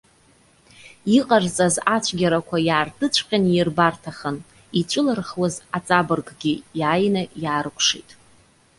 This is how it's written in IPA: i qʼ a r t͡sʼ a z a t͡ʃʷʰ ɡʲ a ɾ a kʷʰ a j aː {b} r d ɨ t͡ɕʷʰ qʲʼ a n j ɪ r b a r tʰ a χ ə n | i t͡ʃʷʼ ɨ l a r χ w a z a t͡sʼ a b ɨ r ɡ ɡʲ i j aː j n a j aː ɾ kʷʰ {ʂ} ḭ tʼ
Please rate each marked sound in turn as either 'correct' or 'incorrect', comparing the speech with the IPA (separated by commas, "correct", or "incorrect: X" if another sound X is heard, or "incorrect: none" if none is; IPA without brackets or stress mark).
incorrect: none, correct